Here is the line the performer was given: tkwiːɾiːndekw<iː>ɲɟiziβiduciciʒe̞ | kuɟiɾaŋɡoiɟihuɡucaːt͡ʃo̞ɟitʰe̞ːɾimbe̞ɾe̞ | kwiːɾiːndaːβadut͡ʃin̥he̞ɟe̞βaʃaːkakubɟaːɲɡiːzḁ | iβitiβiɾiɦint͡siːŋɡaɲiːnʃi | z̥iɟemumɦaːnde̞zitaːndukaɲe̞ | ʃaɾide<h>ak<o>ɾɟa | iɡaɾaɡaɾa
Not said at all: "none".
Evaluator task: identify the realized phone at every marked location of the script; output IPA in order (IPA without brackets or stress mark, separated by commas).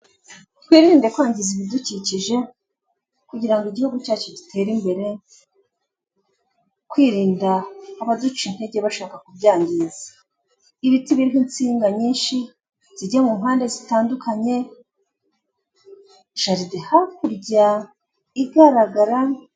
aː, h, u